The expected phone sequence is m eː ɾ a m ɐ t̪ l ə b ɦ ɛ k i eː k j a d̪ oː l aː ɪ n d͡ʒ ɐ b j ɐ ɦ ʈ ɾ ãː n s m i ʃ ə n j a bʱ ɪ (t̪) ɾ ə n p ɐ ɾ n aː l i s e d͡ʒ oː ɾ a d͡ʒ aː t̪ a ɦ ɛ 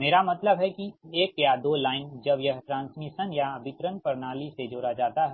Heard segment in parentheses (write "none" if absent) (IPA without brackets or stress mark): t̪